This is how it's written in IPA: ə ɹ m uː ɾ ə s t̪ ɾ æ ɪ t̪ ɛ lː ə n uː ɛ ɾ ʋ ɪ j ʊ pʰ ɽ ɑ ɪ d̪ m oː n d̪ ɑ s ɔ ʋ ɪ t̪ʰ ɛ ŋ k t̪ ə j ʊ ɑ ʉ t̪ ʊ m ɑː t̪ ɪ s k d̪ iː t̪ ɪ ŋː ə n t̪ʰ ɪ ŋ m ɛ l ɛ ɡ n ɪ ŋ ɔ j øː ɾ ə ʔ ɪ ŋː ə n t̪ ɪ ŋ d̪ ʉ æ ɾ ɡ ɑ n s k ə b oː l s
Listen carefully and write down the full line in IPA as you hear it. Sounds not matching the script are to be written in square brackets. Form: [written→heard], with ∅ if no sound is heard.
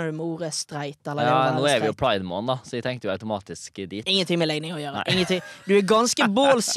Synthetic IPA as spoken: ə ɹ m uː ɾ ə s t̪ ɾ æ ɪ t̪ ɛ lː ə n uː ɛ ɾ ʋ ɪ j ʊ pʰ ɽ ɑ ɪ d̪ m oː n d̪ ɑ s ɔ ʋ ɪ t̪ʰ ɛ ŋ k t̪ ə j ʊ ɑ ʉ t̪ ʊ m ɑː t̪ ɪ s k d̪ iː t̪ ɪ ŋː ə n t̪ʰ ɪ ŋ m ɛ l ɛ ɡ n ɪ ŋ ɔ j øː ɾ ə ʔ ɪ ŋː ə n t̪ ɪ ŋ d̪ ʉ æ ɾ ɡ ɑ n s k ə b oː l s